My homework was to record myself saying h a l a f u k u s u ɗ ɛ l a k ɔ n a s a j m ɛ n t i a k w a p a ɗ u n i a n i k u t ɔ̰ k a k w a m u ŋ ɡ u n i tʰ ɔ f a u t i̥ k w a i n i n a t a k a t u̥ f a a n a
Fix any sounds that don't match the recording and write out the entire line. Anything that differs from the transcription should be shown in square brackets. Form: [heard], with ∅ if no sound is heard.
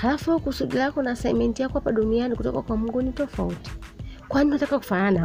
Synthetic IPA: h a l a f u k u s u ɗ [i] l a k ɔ n a s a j m ɛ n t i a k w a p a ɗ u n i a n i k u t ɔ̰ k a k w a m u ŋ ɡ u n i [t] ɔ f a u t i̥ k w a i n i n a t a k a [k] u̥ f a a n a